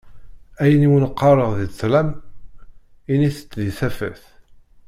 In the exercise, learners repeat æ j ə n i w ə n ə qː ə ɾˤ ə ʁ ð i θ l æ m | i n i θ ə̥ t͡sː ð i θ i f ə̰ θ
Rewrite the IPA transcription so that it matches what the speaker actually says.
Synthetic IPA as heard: æ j ə n i w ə n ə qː ɑ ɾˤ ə ʁ ð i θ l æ m | i n i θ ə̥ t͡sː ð i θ æ f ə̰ θ